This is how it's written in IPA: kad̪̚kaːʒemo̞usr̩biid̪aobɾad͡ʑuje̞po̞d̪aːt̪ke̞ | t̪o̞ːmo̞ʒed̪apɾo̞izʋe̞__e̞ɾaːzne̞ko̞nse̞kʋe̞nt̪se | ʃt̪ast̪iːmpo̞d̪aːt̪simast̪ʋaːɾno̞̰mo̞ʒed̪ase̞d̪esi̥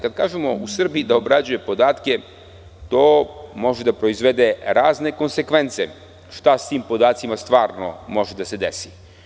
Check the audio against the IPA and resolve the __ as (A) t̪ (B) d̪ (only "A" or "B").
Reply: B